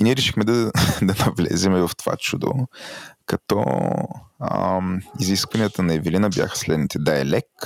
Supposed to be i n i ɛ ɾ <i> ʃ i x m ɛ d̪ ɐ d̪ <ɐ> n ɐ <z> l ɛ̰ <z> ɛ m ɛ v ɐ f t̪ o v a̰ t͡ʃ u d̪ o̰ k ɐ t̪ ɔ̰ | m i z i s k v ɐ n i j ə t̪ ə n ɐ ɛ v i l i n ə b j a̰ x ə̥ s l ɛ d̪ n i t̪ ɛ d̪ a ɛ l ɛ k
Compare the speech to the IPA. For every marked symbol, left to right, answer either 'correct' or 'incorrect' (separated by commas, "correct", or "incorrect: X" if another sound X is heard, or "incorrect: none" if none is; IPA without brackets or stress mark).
incorrect: ɛ, correct, incorrect: v, correct